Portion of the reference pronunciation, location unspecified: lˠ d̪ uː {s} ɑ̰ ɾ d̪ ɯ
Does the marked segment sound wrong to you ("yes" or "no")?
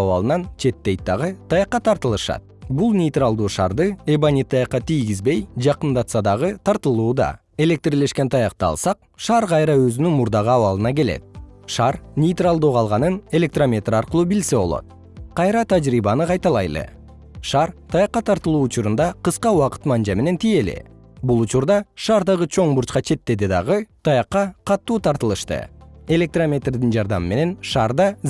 yes